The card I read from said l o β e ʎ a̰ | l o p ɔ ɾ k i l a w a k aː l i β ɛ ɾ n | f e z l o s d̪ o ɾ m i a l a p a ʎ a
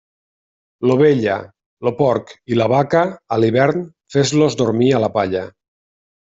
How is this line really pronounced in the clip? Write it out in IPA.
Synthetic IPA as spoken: l o β e ʎ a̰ | l o p ɔ ɾ k i l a β a k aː l i β ɛ ɾ n | f e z l o z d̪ o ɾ m i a l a p a ʎ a

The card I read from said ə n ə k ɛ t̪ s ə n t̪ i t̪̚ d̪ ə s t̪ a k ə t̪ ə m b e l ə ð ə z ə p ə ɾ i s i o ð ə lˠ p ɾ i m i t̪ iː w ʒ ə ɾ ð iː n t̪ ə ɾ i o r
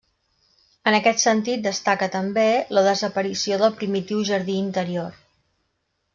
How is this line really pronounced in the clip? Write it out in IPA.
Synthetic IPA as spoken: ə n ə k ɛ t̪ s ə n t̪ i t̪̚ d̪ ə s t̪ a k ə t̪ ə m b e l ə ð ə z ə p ə ɾ i s i o ð ə lˠ p ɾ i m i t̪ i w ʒ ə ɾ ð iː n t̪ ə ɾ i o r

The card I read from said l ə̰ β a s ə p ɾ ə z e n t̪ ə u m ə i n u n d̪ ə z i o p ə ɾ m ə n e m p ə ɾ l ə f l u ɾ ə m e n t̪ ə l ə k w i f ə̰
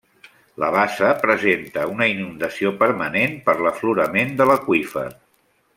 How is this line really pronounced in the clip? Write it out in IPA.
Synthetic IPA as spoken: l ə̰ β a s ə p ɾ ə z e n t̪ ə u n ə i n u n d̪ ə s i o p ə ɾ m ə n e n p ə ɾ l ə f l u ɾ ə m e n d̪ ə l ə k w i f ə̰

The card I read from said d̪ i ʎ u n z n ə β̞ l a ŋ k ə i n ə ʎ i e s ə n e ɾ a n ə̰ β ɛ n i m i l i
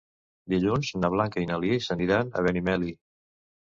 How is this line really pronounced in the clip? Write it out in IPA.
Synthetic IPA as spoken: d̪ i ʎ u n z n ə β̞ l a ŋ k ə i n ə l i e s ə n i ɾ a n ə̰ β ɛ n i m ɛ l i

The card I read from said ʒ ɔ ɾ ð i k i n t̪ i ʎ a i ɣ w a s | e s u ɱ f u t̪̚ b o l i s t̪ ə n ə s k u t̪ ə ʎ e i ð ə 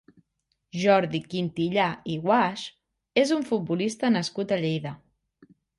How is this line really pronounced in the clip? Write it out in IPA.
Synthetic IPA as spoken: ʒ ɔ ɾ ð i k i n t̪ i ʎ a i ɣ w a ʃ | e z u ɱ f u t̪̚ b u l i s t̪ ə n ə s k u t̪ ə ʎ e j ð ə

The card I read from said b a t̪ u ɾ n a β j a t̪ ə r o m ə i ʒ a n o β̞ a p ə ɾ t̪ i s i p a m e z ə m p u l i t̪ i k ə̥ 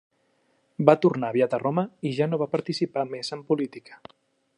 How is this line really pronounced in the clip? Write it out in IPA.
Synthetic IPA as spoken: b a t̪ u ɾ n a β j a t̪ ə r o m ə i ʒ a n o β̞ a p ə ɾ t̪ i s i p a m e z ə m p u l i t̪ i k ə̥

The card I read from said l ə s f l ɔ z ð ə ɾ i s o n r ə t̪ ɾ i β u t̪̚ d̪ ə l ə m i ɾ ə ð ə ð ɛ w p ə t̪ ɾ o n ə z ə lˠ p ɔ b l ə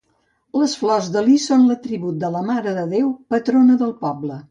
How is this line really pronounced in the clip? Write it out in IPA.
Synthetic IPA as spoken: l ə s f l ɔ z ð ə l i s o n l ə t̪ ɾ i β u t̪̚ d̪ ə l ə m a ɾ ə ð ə ð e w p ə t̪ ɾ o n ə ð ə lˠ p ɔ b l ə

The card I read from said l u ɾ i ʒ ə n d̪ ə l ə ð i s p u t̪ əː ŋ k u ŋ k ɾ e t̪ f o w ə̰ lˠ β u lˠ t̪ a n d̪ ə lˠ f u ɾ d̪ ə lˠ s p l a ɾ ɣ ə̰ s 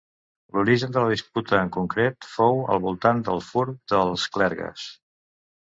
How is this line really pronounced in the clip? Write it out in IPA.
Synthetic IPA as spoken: l u ɾ i ʒ ə n d̪ ə l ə ð i s p u t̪ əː ŋ k u ŋ k ɾ e t̪ f o w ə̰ lˠ β u lˠ t̪ a n d̪ ə lˠ f u ɾ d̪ ə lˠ s k l ɛ ɾ ɣ ə̰ s

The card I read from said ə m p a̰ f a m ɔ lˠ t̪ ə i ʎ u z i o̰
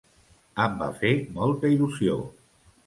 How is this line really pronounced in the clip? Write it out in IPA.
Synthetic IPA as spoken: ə m b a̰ f e m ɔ lˠ t̪ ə i l u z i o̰

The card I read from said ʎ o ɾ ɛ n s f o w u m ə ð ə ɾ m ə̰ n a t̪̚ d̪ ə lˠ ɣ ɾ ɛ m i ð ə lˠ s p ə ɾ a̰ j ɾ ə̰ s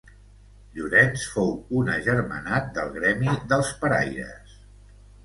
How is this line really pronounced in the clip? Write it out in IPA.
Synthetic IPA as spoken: ʎ u ɾ ɛ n s f o w u n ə ʒ ə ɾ m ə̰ n a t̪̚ d̪ ə lˠ ɣ ɾ ɛ m i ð ə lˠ s p ə ɾ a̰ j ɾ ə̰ s

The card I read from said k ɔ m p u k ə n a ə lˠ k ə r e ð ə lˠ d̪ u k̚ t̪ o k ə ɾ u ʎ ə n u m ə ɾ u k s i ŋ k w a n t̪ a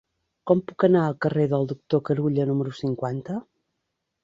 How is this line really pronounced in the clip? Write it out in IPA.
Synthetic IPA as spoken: k ɔ m p u k ə n a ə lˠ k ə r e ð ə lˠ d̪ u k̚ t̪ o k ə ɾ u ʎ ə n u m ə ɾ u s i ŋ k w a n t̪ ə

